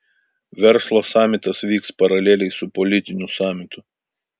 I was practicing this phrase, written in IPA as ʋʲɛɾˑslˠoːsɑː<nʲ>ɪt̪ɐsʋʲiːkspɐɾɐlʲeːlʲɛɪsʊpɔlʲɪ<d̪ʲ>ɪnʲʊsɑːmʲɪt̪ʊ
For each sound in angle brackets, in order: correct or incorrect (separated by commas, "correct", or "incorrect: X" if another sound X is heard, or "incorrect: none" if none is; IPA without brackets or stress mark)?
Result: incorrect: mʲ, incorrect: t̪ʲ